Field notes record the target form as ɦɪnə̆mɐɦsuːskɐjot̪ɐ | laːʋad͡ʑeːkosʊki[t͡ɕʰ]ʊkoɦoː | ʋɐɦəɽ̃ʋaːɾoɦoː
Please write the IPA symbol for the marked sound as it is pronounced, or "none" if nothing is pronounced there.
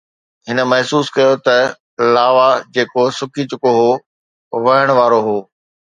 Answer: t͡ɕ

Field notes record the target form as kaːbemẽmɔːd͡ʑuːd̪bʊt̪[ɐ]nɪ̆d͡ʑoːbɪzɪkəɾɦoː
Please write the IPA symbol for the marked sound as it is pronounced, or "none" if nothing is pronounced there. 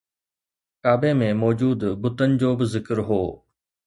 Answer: ə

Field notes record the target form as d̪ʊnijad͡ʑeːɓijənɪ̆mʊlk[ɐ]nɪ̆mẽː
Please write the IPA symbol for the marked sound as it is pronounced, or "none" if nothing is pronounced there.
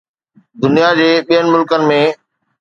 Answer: ə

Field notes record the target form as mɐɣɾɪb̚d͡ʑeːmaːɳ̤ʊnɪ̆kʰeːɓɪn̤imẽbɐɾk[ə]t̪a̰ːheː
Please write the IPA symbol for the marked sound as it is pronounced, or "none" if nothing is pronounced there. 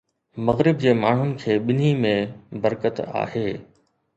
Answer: ə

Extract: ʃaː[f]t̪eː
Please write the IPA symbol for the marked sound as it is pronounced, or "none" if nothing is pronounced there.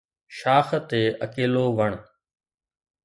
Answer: x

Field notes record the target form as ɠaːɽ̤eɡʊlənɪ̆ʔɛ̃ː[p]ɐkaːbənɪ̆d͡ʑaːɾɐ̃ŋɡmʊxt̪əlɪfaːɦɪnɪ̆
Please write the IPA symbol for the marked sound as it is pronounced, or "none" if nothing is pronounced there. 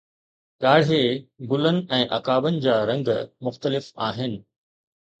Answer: ʔ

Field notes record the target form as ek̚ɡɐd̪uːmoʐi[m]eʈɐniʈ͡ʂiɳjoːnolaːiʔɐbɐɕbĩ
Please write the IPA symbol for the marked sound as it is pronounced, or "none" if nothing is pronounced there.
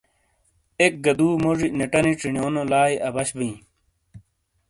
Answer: n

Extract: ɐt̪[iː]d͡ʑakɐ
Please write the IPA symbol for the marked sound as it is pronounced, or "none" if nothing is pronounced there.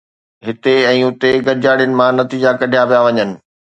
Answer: iː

